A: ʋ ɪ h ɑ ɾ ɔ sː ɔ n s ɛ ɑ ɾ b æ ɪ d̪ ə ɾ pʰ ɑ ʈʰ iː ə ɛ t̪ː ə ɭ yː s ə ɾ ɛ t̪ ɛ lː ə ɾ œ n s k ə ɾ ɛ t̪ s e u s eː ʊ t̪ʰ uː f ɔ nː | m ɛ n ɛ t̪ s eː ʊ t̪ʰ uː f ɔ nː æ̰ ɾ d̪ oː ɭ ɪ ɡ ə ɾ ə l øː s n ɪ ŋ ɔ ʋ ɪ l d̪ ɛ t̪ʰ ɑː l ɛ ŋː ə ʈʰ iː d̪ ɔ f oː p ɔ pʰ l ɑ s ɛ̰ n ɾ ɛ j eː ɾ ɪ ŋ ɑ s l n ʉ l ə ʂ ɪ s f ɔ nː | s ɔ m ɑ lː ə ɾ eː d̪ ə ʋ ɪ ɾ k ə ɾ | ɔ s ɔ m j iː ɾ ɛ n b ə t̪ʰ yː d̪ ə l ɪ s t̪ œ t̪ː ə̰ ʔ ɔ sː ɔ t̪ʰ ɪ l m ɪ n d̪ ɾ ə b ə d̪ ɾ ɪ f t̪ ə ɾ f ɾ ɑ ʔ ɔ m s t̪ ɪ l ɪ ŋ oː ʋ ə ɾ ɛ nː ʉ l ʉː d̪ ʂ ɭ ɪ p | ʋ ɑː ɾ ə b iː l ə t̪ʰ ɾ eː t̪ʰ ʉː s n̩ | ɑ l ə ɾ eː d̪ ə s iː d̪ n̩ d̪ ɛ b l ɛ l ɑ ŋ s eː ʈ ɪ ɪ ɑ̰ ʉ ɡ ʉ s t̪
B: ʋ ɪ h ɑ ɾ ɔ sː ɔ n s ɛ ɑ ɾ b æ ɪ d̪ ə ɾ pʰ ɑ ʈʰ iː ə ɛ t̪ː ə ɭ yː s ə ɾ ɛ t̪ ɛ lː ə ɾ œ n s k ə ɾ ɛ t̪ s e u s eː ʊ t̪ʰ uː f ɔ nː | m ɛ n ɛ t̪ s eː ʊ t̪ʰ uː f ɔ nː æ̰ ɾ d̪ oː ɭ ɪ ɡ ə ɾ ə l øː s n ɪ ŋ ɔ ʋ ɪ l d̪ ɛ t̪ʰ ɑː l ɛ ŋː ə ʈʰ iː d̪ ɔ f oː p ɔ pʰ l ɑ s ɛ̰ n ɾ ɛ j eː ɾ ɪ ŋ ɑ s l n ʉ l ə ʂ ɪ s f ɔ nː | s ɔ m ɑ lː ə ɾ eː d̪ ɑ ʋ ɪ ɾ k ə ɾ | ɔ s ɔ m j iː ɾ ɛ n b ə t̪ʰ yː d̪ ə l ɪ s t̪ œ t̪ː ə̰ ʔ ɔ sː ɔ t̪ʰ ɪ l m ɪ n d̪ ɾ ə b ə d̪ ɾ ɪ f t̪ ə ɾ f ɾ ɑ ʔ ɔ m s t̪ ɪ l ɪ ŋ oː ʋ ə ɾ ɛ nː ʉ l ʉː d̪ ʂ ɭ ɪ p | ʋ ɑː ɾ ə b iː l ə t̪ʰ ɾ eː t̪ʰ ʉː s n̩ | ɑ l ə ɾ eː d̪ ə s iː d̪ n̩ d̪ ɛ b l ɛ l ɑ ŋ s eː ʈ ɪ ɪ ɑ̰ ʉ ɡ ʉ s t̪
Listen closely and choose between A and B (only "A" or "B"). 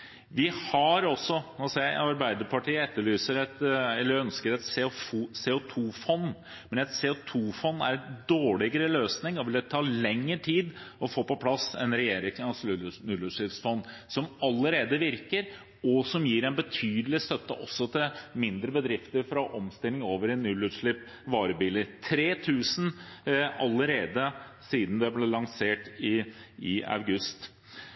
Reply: A